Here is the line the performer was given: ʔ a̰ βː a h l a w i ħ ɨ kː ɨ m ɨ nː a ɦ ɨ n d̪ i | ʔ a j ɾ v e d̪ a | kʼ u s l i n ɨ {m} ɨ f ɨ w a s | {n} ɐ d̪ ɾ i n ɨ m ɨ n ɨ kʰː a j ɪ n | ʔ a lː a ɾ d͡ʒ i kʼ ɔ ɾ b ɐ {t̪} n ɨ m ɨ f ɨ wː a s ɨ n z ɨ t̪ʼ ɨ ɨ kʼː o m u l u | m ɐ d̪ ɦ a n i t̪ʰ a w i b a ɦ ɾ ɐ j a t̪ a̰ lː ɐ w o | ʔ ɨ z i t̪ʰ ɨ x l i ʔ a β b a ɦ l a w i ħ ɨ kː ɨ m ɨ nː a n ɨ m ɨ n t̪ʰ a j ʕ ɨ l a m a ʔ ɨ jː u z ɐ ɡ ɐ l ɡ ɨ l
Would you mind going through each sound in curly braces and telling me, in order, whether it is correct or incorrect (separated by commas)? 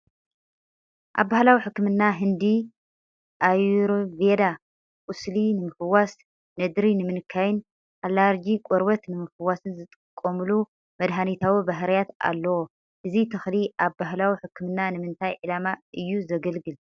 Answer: correct, correct, correct